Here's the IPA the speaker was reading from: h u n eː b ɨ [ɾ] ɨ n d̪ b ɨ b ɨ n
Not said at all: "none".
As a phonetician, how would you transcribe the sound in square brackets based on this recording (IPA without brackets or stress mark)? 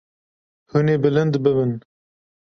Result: l